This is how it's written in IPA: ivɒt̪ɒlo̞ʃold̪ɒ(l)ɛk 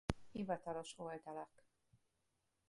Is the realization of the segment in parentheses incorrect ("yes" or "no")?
no